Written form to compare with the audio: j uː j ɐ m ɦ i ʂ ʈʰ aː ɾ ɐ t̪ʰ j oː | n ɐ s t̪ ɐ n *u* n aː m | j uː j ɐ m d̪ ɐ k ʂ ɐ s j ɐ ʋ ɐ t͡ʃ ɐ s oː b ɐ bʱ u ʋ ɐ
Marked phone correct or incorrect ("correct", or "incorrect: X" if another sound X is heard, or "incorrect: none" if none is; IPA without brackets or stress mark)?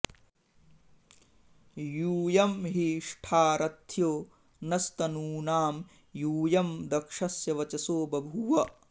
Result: incorrect: uː